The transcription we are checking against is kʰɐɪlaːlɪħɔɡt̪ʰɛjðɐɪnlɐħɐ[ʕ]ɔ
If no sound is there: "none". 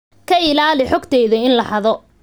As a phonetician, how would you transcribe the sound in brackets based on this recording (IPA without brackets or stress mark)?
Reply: ð